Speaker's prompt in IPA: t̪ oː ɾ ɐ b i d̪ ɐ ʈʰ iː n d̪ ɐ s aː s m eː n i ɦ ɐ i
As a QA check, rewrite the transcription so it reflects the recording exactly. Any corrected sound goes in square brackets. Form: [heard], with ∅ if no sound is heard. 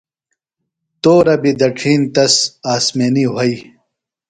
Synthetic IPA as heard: t̪ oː ɾ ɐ b i d̪ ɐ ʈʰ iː n [t̪] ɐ s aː s m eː n i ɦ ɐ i

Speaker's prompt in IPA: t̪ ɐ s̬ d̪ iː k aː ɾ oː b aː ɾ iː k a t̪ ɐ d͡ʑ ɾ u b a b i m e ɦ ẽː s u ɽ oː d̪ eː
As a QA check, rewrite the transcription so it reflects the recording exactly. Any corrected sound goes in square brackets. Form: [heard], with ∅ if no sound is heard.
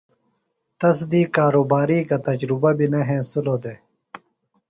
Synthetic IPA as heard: t̪ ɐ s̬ d̪ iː k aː ɾ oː b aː ɾ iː k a t̪ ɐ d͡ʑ ɾ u b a b i [n] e ɦ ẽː s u [l] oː d̪ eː

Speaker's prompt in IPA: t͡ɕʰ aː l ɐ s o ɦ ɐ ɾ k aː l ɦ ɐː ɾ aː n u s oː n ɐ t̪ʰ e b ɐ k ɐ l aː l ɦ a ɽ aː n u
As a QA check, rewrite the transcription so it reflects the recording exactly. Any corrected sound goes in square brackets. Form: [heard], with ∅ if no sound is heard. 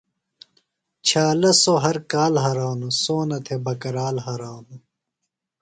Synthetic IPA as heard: t͡ɕʰ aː l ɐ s o ɦ ɐ ɾ k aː l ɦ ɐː ɾ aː n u s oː n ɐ t̪ʰ e b ɐ k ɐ [ɾ] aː l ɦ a [ɾ] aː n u

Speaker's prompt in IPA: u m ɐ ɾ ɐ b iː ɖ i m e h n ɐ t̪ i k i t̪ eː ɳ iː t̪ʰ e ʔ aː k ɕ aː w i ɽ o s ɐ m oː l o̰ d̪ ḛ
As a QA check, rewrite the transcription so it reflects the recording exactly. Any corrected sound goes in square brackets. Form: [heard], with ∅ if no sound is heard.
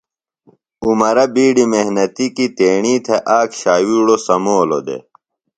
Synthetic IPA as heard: u m ɐ ɾ ɐ b iː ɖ i m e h n ɐ t̪ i k i t̪ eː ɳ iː t̪ʰ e ʔ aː k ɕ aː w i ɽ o s ɐ m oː l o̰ d̪ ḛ

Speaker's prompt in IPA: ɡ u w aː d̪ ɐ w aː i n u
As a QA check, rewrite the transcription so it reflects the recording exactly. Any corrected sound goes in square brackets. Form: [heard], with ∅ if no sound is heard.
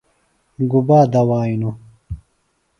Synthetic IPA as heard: ɡ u [b] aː d̪ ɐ w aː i n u

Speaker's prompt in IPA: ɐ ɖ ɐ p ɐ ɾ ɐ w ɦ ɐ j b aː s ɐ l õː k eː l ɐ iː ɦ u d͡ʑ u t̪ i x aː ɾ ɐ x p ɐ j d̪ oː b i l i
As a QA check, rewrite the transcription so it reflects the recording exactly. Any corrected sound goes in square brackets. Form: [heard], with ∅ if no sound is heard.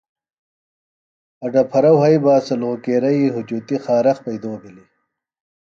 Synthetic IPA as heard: ɐ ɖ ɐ [pʰ] ɐ ɾ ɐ w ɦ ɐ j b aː s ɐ l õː k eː [ɾ] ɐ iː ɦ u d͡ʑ u t̪ i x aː ɾ ɐ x p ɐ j d̪ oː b i l i

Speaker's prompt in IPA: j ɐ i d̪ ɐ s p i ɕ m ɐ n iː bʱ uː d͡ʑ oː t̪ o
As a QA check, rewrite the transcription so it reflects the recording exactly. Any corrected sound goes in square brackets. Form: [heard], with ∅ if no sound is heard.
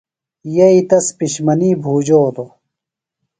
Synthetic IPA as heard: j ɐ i [t̪] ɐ s p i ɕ m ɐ n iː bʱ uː d͡ʑ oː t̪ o

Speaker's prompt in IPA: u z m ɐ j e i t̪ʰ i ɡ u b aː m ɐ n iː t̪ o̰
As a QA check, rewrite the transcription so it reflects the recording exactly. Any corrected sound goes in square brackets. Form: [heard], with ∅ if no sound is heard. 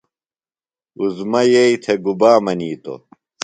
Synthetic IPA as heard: u z m ɐ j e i t̪ʰ [e] ɡ u b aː m ɐ n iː t̪ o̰

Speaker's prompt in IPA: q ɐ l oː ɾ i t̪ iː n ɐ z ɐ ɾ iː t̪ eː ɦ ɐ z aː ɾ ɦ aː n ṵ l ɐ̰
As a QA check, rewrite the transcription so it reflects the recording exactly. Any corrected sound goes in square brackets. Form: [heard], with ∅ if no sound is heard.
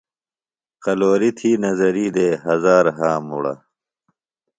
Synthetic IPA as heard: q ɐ l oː ɾ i [t̪ʰ] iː n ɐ z ɐ ɾ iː [d̪] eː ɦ ɐ z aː ɾ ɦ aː [m] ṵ [ɽ] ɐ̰

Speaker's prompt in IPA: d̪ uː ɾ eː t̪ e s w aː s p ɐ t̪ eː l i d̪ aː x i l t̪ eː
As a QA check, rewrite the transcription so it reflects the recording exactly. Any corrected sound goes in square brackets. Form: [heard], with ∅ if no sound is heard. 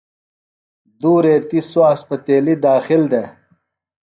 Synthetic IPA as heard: d̪ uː ɾ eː t̪ [i] s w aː s p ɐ t̪ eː l i d̪ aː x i l [d̪] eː

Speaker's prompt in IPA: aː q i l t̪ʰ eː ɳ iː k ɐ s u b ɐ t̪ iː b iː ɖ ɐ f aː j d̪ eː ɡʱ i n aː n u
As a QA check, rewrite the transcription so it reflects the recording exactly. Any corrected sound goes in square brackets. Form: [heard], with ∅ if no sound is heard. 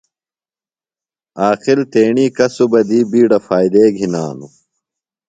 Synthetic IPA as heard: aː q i l [t̪] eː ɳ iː k ɐ s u b ɐ [d̪] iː b iː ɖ ɐ f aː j d̪ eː ɡʱ i n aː n u

